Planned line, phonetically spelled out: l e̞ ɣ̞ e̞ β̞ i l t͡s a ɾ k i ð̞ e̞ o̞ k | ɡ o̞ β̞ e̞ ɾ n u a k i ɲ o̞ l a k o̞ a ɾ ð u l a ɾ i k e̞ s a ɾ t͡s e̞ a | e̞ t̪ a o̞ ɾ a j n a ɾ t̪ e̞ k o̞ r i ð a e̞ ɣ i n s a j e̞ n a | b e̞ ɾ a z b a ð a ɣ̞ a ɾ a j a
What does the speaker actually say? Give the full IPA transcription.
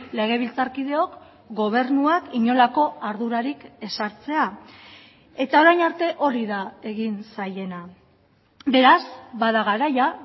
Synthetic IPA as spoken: l e̞ ɣ̞ e̞ β̞ i l t͡s a ɾ k i ð̞ e̞ o̞ k | ɡ o̞ β̞ e̞ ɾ n u a k i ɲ o̞ l a k o̞ a ɾ ð u ɾ a ɾ i k e̞ s a ɾ t͡s e̞ a | e̞ t̪ a o̞ ɾ a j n a ɾ t̪ e̞ ʔ o̞ ɾ i ð a e̞ ɣ i n s a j e̞ n a | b e̞ ɾ a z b a ð a ɣ̞ a ɾ a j a

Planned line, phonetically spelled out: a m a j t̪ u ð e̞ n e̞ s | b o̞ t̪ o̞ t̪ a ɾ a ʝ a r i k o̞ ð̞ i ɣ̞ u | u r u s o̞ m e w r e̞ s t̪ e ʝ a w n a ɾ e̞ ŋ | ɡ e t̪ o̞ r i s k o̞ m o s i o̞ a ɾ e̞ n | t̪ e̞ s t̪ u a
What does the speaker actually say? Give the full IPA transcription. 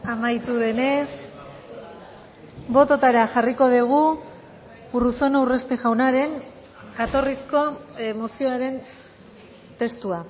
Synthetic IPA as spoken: a m a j t̪ u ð e̞ n e̞ s | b o̞ t̪ o̞ t̪ a ɾ a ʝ a r i k o̞ ð̞ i ɣ̞ u | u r u s o̞ n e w r e̞ s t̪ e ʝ a w n a ɾ e̞ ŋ | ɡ a t̪ o̞ r i s k o̞ m o s i o̞ a ɾ e̞ n | t̪ e̞ s t̪ u a

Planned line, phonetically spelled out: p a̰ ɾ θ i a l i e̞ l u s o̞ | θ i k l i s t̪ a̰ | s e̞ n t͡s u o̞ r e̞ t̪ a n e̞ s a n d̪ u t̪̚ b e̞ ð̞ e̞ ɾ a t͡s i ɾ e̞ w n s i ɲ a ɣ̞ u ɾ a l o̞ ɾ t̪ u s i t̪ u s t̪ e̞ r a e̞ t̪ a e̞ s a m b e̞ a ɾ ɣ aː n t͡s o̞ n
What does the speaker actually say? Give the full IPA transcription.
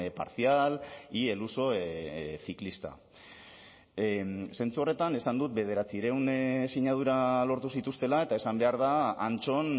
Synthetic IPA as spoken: p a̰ ɾ θ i a l i e̞ l u s o̞ | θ i k l i s t̪ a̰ | s e̞ n t͡s u o̞ r e̞ t̪ a n e̞ s a n d̪ u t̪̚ b e̞ ð̞ e̞ ɾ a t͡s i ɾ e̞ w n s i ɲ a ð̞ u ɾ a l o̞ ɾ t̪ u s i t̪ u s t̪ e̞ l a e̞ t̪ a e̞ s a m b e̞ a ɾ ð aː n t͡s o̞ n

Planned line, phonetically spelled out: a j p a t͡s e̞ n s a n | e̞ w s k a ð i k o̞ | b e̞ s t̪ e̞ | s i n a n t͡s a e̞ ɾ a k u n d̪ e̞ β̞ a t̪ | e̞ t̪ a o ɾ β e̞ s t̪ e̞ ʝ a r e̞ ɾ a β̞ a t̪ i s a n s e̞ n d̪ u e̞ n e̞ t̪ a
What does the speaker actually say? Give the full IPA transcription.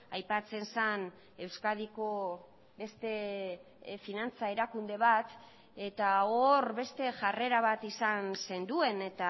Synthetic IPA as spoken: a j p a t͡s e̞ n s a n | e̞ w s k a ð i k o̞ | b e̞ s t̪ e̞ | f i n a n t͡s a e̞ ɾ a k u n d̪ e̞ β̞ a t̪ | e̞ t̪ a o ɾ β e̞ s t̪ e̞ ʝ a r e̞ ɾ a β̞ a t̪ i s a n s e̞ n d̪ u e̞ n e̞ t̪ a

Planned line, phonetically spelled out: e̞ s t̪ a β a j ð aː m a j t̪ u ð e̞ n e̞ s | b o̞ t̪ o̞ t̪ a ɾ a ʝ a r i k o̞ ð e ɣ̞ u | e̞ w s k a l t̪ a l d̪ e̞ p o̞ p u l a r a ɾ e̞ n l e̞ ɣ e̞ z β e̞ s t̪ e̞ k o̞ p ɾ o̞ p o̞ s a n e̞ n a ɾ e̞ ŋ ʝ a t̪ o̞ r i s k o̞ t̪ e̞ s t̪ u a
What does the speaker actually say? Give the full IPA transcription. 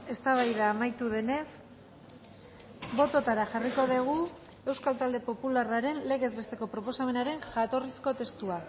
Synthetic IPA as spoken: e̞ s t̪ a β a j ð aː m a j t̪ u ð e̞ n e̞ s | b o̞ t̪ o̞ t̪ a ɾ a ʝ a r i k o̞ ð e ɣ̞ u | e̞ w s k a l t̪ a l d̪ e̞ p o̞ p u l a r a ɾ e̞ n l e̞ ɣ e̞ z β e̞ s t̪ e̞ k o̞ p ɾ o̞ p o̞ s a m e̞ n a ɾ e̞ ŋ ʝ a t̪ o̞ r i s k o̞ t̪ e̞ s t̪ u a

